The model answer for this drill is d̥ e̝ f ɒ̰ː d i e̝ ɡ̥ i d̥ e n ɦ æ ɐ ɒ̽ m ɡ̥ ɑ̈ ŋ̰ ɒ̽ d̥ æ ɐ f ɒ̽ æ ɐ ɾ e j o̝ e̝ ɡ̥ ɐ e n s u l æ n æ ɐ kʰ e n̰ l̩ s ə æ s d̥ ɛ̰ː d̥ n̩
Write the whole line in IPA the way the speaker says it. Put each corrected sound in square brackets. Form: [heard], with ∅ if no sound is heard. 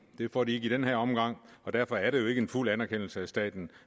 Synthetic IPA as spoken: d̥ e̝ f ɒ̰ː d i e̝ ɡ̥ i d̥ e n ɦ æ ɐ ɒ̽ m ɡ̥ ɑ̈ ŋ̰ ɒ̽ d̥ æ ɐ f ɒ̽ æ ɐ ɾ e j o̝ e̝ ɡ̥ [ə] e n [f] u l æ n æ ɐ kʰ e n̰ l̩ s ə æ s d̥ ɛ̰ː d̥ n̩